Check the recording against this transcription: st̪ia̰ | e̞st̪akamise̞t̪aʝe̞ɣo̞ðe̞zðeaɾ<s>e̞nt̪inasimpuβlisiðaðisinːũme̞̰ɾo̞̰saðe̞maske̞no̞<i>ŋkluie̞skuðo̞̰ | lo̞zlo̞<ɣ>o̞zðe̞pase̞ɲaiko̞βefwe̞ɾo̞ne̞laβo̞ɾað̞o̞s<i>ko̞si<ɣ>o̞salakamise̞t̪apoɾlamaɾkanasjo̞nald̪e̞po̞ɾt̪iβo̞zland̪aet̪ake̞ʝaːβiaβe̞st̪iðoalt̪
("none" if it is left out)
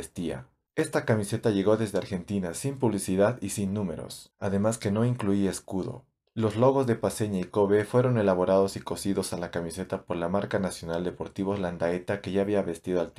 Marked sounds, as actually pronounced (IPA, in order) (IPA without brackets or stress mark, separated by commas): x, i, ɣ, i, ð